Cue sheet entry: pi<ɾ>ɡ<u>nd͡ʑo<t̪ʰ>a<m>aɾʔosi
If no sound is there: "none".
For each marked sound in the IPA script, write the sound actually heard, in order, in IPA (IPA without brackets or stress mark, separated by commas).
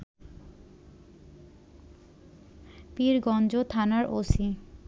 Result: ɾ, ɔ, t̪ʰ, n